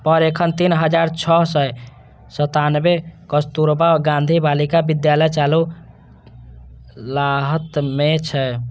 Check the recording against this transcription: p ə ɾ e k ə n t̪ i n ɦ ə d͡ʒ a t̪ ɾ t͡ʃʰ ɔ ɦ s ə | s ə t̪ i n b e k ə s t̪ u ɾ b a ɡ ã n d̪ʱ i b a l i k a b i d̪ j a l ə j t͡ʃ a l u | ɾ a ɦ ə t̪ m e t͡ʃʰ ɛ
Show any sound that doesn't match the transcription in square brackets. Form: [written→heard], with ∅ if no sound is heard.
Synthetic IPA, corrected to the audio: p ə ɾ e [k→kʰ] ə n t̪ i n ɦ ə d͡ʒ a [t̪→∅] ɾ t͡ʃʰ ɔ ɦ s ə | s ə t̪ [i→a] n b e k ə s t̪ u ɾ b a ɡ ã n d̪ʱ i b a l i k a b i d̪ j a l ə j t͡ʃ a l u | [ɾ→l] a ɦ ə t̪ m e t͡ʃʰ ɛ